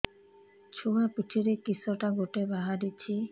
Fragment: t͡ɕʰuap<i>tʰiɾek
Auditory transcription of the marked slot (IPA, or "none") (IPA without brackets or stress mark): i